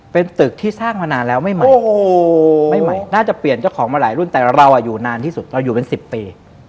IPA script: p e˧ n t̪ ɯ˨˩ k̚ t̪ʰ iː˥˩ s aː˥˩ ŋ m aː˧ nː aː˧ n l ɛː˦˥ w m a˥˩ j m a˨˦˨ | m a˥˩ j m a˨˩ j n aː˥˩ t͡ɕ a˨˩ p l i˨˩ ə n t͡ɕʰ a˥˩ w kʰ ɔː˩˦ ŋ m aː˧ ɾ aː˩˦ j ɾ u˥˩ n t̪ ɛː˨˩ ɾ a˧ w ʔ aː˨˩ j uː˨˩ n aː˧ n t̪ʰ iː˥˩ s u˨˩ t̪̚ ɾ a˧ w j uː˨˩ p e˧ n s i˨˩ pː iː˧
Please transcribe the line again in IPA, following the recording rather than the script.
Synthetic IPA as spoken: p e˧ n t̪ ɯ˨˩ k̚ t̪ʰ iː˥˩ s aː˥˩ ŋ m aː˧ n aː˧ n l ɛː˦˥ w m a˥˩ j m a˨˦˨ | m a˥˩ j m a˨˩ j n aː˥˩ t͡ɕ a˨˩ p l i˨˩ ə n t͡ɕ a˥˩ w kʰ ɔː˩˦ ŋ m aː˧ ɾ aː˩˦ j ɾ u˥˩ n t̪ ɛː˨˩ ɾ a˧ w ʔ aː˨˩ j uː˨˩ n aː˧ n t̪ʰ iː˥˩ s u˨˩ t̪̚ ɾ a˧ w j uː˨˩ p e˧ n s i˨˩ pː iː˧

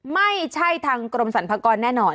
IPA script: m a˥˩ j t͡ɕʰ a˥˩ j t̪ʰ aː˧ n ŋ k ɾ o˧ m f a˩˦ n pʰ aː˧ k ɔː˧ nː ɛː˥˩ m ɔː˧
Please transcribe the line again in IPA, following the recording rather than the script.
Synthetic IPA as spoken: m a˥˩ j t͡ɕʰ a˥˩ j t̪ʰ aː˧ ŋ k ɾ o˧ m s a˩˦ n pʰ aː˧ k ɔː˧ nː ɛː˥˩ n ɔː˧

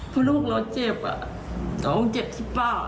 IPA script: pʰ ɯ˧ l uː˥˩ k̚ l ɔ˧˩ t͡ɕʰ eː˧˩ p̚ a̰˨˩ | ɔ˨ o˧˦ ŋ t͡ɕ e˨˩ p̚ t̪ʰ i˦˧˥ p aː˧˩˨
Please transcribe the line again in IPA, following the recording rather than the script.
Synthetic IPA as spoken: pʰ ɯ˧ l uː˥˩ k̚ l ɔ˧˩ t͡ɕ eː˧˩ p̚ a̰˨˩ | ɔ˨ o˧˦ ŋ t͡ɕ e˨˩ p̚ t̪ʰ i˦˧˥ p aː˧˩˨

